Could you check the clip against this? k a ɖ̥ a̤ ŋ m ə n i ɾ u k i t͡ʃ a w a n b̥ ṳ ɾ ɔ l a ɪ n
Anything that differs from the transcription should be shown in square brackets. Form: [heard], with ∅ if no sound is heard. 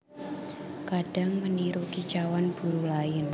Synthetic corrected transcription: k a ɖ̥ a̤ ŋ m ə n i ɾ u k i t͡ʃ a w a n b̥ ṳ ɾ [u] l a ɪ n

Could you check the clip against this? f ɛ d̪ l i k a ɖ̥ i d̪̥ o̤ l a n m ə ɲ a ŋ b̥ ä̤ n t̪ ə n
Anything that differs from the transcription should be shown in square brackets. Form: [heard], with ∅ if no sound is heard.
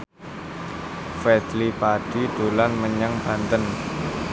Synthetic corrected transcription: f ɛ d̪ l i [p] a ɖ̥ i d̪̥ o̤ l a n m ə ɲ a ŋ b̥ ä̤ n t̪ ə n

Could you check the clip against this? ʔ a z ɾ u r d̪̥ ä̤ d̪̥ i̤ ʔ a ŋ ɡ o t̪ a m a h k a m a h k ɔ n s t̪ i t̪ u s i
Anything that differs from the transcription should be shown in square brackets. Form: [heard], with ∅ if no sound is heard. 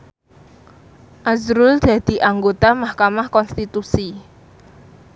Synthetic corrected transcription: ʔ a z ɾ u [l] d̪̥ ä̤ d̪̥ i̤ ʔ a ŋ ɡ o t̪ a m a h k a m a h k ɔ n s t̪ i t̪ u s i

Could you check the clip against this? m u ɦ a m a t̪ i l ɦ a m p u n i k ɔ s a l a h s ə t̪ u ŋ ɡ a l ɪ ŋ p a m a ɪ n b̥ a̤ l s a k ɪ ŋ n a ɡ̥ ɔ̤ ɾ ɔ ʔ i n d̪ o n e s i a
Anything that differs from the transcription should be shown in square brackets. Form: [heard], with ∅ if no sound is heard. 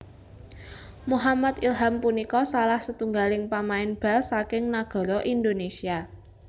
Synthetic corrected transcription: m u ɦ a m a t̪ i l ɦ a m p u n i k ɔ s a l a h s ə t̪ u ŋ ɡ a l ɪ ŋ p a m a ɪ n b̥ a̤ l s a k ɪ ŋ n a ɡ̥ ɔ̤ ɾ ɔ ʔ i n d̪ o n e s i a

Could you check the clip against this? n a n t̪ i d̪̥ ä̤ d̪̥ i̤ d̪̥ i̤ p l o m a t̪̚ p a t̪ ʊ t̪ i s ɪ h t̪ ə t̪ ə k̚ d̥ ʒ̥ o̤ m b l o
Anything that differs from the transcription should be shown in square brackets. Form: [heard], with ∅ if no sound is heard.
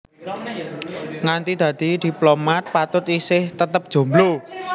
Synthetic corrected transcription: [ŋ] a n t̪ i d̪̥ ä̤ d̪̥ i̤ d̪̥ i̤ p l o m a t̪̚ p a t̪ ʊ t̪ i s ɪ h t̪ ə t̪ ə [p̚] d̥ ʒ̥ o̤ m b l o

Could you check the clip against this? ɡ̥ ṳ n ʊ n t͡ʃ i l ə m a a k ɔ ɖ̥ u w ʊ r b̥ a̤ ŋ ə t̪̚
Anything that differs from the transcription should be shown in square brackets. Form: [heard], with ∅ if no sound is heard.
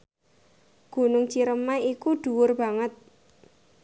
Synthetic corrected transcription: ɡ̥ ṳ n ʊ [ŋ] t͡ʃ i [ɾ] ə m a [i] k [u] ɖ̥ u w ʊ r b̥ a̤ ŋ ə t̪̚

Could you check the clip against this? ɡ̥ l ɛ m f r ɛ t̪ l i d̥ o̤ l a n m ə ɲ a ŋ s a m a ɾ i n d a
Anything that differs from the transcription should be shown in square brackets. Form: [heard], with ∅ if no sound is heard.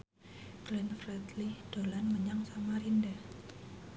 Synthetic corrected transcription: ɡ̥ l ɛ [n] f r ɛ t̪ l i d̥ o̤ l a n m ə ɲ a ŋ s a m a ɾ i n d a

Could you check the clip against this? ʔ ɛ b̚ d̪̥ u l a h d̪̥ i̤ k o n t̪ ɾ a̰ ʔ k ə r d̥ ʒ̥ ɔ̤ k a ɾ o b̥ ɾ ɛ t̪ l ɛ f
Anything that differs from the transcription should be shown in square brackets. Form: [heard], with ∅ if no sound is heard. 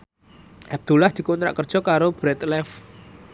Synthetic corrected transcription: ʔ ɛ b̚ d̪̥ u l a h d̪̥ i̤ k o n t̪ ɾ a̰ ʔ k ə r d̥ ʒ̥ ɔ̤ k a ɾ o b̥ ɾ ɛ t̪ l ɛ f

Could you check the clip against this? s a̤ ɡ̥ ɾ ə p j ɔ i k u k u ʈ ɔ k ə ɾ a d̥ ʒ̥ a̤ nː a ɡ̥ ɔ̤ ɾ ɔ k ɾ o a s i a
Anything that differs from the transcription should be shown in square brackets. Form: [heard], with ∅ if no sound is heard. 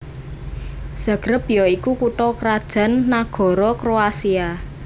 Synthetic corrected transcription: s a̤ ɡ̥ ɾ ə p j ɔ i k u k u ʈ ɔ k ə ɾ a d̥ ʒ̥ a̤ nː a ɡ̥ ɔ̤ ɾ ɔ k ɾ o a s i a

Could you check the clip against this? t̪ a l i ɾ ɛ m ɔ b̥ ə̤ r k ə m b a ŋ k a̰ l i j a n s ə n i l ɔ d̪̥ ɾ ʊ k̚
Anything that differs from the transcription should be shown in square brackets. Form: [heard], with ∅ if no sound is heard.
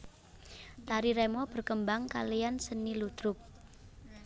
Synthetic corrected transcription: t̪ a [ɾ] i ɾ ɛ m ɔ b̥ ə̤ r k ə m b a ŋ k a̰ l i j a n s ə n i l [u] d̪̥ ɾ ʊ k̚

